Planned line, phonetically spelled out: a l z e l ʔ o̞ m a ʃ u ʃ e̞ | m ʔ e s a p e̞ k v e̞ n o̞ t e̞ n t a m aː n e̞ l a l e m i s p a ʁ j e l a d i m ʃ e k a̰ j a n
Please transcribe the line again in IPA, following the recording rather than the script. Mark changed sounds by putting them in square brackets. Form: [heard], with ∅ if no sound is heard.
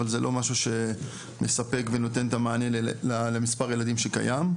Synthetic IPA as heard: a l z e l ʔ o̞ m a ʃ u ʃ e̞ | m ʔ e s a p e̞ k v e̞ n o̞ t e̞ n t a m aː n e̞ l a l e m i s p a ʁ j e l a d i m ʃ e k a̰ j a [m]